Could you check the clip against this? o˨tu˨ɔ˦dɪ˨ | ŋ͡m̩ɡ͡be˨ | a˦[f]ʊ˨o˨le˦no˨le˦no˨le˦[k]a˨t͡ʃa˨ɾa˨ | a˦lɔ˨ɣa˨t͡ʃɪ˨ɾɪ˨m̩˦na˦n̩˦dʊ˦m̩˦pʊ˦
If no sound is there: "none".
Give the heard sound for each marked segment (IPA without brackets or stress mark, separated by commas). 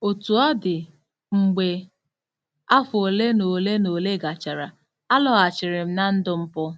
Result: f, ɡ